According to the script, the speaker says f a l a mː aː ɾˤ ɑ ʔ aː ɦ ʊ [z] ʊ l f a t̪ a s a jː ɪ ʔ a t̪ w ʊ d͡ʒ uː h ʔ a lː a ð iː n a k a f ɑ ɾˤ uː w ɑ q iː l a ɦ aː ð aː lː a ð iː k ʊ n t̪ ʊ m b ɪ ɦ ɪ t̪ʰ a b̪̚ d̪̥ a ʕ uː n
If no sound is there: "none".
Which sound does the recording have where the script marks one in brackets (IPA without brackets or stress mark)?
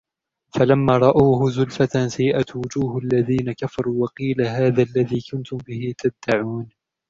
z